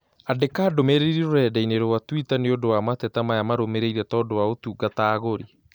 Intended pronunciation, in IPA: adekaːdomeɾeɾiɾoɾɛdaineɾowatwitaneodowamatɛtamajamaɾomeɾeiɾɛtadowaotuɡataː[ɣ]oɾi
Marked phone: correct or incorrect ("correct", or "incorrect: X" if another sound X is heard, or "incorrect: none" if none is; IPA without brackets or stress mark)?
correct